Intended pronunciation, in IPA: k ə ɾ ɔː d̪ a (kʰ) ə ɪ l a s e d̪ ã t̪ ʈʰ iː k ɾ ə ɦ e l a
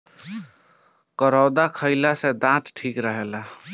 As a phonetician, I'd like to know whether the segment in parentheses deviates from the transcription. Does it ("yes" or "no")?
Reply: no